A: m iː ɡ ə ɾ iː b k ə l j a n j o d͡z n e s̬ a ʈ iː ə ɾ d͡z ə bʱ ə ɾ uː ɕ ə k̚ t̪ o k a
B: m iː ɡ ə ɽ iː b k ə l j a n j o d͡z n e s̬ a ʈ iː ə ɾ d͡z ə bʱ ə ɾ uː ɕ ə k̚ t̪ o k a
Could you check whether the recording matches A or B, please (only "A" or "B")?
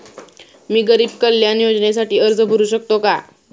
A